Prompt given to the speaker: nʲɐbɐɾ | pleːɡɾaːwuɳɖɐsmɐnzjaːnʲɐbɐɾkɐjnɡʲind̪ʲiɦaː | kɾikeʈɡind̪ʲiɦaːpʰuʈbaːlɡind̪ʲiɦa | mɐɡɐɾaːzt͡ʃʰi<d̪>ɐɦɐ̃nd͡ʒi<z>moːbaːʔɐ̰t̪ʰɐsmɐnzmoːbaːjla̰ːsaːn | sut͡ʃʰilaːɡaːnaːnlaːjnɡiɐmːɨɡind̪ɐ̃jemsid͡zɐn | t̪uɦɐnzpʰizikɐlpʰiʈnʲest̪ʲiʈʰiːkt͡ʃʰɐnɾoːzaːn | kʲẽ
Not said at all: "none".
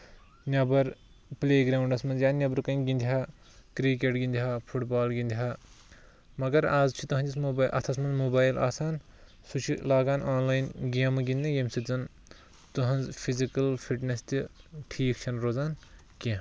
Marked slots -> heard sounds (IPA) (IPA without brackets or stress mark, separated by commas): t̪, s